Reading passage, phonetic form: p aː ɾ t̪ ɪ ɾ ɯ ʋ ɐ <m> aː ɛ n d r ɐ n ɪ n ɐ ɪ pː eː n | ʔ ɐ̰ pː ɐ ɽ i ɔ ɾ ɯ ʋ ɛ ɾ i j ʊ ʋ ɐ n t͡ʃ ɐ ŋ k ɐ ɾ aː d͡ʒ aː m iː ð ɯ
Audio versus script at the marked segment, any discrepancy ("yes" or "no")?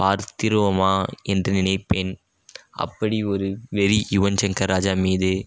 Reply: no